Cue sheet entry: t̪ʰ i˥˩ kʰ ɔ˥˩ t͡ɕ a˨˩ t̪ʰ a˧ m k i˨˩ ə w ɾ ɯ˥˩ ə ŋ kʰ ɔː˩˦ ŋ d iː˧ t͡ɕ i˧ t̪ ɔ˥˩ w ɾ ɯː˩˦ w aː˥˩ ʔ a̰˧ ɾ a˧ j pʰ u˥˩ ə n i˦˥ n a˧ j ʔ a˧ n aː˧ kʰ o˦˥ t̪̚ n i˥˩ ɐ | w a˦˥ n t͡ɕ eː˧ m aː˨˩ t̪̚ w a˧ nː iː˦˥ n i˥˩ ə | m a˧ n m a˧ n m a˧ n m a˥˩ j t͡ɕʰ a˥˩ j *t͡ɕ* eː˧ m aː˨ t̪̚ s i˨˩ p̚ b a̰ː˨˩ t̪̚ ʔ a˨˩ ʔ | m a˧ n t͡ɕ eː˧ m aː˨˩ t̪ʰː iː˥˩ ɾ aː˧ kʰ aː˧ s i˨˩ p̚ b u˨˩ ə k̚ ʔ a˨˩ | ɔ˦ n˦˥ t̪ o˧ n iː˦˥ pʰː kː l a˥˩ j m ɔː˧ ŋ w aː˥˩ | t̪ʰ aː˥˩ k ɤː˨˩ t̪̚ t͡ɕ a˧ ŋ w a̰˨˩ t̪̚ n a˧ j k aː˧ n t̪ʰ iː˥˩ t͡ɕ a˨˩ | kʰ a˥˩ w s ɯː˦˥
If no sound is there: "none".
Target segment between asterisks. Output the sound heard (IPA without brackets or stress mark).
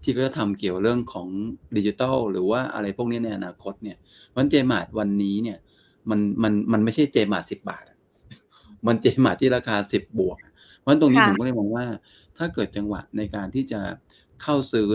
t͡ɕ